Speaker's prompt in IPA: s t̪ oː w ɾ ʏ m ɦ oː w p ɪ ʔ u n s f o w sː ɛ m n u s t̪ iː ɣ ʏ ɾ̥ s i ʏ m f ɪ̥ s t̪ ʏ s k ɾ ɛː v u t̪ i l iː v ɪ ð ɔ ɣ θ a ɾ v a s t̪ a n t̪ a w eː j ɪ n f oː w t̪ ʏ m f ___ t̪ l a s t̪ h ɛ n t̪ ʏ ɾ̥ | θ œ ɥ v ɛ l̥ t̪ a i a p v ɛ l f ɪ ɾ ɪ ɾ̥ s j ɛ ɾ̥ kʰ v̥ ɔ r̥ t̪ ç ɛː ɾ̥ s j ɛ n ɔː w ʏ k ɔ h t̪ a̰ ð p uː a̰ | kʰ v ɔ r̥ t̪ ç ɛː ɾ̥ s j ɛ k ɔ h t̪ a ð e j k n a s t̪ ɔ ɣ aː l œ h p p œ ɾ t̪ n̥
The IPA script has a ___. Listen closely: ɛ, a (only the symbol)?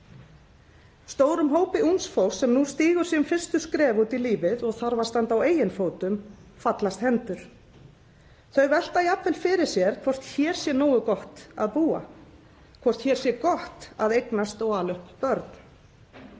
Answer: a